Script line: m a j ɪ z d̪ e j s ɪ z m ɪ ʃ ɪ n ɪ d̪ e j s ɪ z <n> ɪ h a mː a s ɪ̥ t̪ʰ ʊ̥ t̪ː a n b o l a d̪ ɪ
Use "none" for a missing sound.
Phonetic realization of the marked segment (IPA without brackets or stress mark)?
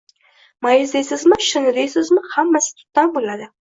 m